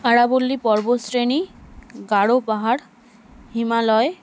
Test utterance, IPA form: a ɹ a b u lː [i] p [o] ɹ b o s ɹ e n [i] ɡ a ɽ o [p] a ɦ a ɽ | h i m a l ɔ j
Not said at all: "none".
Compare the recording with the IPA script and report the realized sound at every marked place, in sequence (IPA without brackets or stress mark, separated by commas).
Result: i, ɔ, i, p